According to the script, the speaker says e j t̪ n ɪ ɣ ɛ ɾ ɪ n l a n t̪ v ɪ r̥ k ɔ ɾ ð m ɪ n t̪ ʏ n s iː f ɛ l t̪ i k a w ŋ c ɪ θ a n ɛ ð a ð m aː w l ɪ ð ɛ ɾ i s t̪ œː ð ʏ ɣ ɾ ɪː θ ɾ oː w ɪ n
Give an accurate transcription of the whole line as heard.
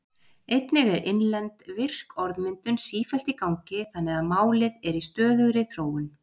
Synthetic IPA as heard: e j t̪ n ɪ ɣ ɛ ɾ ɪ n l ɛ n t̪ v ɪ r̥ k ɔ ɾ ð m ɪ n t̪ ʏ n s iː f ɛ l t̪ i k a w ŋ c ɪ θ a nː ɛ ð a ð m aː w l ɪ ð ɛ ɾ i s t̪ œː ð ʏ ɣ ɾ ɪ θ ɾ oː w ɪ n

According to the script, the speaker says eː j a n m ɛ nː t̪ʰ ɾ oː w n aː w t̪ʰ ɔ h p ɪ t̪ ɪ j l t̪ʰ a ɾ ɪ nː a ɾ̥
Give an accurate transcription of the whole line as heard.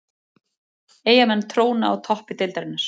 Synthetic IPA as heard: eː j a m ɛ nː t̪ʰ ɾ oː w n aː w t̪ʰ ɔ h p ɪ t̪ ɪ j l t̪ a ɾ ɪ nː a ɾ̥

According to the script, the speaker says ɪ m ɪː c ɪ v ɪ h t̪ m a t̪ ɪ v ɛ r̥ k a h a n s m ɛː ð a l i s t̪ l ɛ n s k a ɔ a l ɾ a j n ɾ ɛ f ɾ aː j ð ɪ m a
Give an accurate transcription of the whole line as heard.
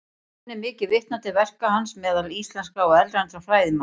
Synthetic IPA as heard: ɪ m ɪː c ɪ v ɪ h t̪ n a t̪ ɪ v ɛ r̥ k a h a n s m ɛː ð a l i s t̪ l ɛ n s k a ɔ ɛ l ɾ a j n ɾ a f ɾ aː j ð ɪ m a

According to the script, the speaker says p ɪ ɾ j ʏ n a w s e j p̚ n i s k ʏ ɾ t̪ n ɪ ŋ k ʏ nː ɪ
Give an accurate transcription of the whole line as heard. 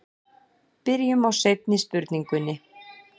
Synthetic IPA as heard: p ɪ ɾ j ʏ m a w s e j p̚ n ɪ s p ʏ ɾ t̪ n i ŋ k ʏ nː ɪ

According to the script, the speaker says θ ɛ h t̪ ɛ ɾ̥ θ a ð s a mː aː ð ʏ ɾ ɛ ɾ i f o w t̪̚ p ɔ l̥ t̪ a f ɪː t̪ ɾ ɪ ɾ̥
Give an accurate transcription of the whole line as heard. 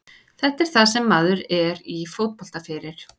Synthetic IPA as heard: θ ɛ h t̪ ɛ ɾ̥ θ a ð s ɛ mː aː ð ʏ ɾ ɛ ɾ i f o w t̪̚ p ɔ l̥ t̪ a f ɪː ɾ ɪ ɾ̥

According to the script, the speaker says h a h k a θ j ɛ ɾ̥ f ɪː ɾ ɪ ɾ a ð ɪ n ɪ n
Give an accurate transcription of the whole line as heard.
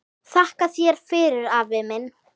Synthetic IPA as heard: θ a h k a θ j ɛ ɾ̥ f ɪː ɾ ɪ ɾ a v ɪ m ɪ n

